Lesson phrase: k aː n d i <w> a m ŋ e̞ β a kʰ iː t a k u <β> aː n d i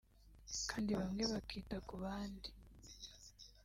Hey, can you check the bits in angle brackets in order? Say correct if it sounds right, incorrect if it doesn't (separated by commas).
incorrect, correct